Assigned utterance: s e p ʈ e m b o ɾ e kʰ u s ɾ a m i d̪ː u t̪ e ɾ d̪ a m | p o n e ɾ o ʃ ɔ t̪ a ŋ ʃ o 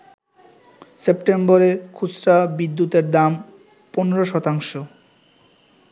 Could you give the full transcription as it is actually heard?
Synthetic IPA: s e p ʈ e m b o ɾ e kʰ u s ɾ a b i d̪ː u t̪ e ɾ d̪ a m | p o n e ɾ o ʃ ɔ t̪ a ŋ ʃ o